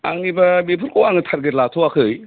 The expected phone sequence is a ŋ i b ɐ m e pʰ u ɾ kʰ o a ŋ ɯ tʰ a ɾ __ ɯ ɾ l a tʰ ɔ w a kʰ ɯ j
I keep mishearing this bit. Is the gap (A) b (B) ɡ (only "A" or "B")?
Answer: B